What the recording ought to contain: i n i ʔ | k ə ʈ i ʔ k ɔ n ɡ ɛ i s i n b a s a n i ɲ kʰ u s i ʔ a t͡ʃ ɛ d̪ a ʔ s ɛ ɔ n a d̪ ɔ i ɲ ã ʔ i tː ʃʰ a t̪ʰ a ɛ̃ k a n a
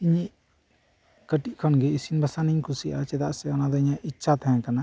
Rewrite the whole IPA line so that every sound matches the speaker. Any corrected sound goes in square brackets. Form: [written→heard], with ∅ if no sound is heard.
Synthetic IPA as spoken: i [n→ɲ] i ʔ | k ə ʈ i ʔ [k→kʰ] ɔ n ɡ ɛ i s i n b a s a n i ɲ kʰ u s i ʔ a t͡ʃ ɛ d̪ a ʔ s ɛ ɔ n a d̪ ɔ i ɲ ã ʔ i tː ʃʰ a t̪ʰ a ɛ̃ k a n a